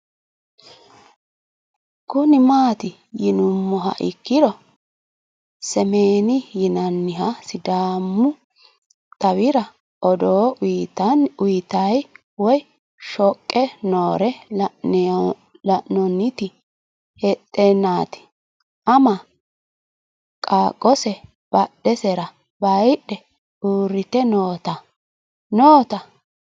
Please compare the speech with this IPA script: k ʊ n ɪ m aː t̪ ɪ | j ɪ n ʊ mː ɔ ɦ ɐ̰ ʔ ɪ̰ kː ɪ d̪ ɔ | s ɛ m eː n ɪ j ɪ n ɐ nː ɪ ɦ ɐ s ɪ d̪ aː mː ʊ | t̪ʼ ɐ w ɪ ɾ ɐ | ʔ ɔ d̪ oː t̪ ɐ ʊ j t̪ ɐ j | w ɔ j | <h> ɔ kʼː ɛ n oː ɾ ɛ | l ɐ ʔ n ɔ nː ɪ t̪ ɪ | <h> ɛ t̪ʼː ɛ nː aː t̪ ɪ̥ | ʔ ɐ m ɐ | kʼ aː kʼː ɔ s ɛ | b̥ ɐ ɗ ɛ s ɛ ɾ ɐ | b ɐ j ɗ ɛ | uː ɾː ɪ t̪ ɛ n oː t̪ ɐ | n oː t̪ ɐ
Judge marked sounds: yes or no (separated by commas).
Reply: no, yes